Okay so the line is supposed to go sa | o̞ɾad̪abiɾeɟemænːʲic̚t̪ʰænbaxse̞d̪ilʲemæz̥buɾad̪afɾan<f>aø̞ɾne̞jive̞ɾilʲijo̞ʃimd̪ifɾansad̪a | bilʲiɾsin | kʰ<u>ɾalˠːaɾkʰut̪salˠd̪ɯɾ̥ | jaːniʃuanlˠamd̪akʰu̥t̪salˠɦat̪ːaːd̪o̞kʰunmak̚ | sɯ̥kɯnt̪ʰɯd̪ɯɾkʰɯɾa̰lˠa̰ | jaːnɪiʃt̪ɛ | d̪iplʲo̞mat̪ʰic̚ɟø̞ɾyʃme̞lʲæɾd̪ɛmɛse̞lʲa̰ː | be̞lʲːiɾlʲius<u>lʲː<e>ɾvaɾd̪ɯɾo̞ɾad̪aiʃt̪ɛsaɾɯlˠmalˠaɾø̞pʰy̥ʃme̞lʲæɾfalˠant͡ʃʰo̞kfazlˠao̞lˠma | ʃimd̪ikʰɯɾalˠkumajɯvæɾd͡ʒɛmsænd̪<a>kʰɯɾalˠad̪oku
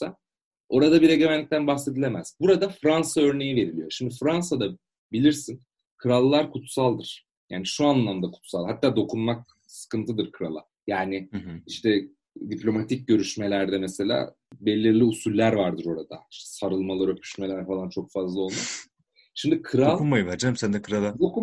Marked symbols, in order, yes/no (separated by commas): no, no, yes, no, no